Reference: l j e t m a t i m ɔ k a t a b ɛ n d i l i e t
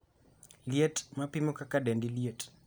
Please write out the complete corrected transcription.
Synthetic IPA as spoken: l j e t m a p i m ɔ k a k a d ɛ n d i l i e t

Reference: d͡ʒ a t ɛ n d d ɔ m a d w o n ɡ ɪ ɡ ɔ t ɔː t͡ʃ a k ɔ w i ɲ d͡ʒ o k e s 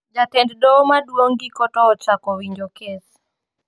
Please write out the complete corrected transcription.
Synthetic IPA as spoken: d͡ʒ a t ɛ n d d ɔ m a d w o ŋ ɡ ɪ k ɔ t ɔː t͡ʃ a k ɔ w i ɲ d͡ʒ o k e s

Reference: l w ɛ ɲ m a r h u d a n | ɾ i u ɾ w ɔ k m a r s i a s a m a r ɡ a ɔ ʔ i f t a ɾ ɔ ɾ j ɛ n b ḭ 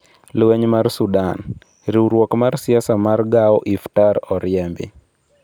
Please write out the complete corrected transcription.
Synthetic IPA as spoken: l w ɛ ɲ m a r s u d a n | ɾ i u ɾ w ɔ k m a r s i a s a m a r ɡ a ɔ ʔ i f t a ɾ ɔ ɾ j ɛ m b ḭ

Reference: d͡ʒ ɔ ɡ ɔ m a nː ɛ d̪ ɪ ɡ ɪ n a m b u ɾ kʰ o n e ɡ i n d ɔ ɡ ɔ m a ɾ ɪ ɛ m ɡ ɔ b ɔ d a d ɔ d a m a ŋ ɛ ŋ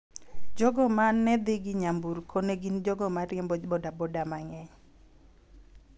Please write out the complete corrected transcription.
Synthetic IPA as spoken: d͡ʒ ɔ ɡ ɔ m a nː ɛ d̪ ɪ ɡ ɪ ɲ a m b u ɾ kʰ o n e ɡ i n d͡ʒ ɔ ɡ ɔ m a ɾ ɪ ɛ m b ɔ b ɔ d a b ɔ d a m a ŋ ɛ ɲ

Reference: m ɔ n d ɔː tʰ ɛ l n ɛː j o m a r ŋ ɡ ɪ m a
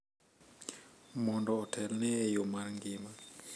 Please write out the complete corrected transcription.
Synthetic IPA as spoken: m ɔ n d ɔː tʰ ɛ l n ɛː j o m a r ŋ ɡ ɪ m a

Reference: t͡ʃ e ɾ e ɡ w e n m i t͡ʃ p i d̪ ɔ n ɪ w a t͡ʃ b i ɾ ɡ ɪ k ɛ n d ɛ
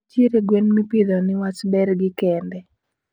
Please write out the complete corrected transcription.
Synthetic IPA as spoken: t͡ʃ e ɾ e ɡ w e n m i p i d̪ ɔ n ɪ w a t͡ʃ b ɛ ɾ ɡ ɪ k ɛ n d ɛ

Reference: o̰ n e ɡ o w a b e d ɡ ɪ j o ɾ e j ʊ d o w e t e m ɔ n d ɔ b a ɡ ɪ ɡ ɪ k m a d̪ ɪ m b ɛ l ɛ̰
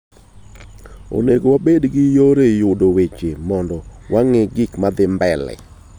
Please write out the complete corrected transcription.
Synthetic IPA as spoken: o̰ n e ɡ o w a b e d ɡ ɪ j o ɾ e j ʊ d o w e t͡ʃ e m ɔ n d ɔ w a ŋ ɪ ɡ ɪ k m a d̪ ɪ m b ɛ l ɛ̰

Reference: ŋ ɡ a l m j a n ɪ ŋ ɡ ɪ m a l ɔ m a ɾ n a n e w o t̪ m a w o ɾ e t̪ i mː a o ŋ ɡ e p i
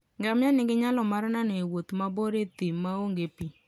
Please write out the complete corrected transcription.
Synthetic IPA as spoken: ŋ ɡ a m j a n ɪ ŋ ɡ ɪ ɲ a l ɔ m a ɾ n a n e w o t̪ m a b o ɾ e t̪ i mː a o ŋ ɡ e p i

